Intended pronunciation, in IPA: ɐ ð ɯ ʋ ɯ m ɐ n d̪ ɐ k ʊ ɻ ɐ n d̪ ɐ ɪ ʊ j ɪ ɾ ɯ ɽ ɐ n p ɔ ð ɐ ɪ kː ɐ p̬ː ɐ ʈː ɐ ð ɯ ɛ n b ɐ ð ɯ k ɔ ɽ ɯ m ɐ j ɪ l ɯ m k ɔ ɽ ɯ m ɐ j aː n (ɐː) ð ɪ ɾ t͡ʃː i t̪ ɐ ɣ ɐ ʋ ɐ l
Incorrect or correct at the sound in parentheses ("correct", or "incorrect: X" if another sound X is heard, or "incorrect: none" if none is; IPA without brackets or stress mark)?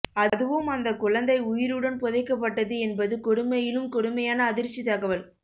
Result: correct